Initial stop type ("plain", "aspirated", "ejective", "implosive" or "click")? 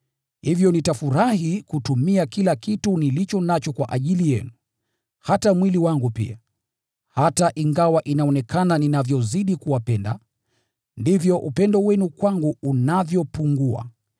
plain